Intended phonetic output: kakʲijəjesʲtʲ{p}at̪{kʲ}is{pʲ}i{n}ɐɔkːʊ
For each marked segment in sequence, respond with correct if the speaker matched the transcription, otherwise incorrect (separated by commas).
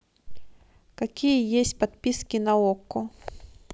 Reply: correct, incorrect, incorrect, correct